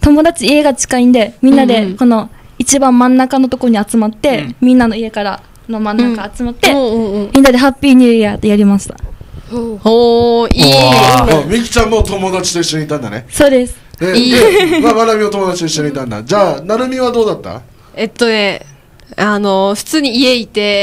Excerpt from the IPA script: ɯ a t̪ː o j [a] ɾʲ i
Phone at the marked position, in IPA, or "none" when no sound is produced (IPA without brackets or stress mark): a